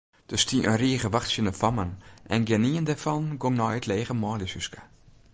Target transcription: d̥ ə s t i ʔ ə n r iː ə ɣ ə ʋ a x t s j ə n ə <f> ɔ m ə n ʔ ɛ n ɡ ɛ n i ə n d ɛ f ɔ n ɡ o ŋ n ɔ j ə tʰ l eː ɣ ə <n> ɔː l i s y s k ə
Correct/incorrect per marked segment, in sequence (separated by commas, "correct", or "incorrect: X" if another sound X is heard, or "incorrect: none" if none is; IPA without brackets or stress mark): correct, incorrect: m